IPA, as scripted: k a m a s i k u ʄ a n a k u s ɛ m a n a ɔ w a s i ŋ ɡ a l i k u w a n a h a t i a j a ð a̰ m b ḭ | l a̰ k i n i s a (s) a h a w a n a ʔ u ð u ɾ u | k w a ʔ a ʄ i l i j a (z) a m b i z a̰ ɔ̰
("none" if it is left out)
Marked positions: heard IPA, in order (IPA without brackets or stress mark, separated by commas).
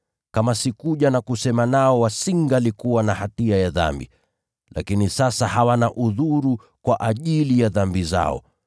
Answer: s, ð